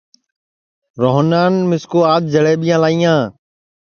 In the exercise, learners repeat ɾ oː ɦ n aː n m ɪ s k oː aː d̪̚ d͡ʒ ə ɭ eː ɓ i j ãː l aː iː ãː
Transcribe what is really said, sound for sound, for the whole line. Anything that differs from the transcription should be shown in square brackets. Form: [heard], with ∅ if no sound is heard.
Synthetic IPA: ɾ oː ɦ n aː n m ɪ s k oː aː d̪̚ d͡ʒ ə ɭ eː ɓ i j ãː l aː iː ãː